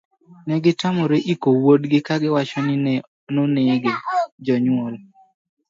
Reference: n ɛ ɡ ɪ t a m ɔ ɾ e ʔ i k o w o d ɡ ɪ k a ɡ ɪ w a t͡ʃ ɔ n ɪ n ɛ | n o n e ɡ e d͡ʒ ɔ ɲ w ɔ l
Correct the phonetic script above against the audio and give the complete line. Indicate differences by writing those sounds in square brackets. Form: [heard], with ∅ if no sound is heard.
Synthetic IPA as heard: n ɛ ɡ ɪ t a m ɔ ɾ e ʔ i k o w o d ɡ ɪ k a ɡ ɪ w a t͡ʃ ɔ n ɪ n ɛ | n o n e ɡ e d͡ʒ ɔ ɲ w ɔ l